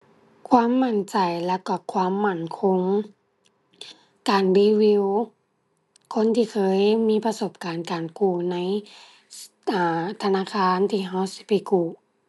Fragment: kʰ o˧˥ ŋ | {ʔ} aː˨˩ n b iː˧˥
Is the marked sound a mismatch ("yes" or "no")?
yes